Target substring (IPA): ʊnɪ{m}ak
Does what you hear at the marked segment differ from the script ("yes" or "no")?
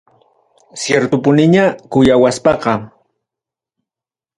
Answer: yes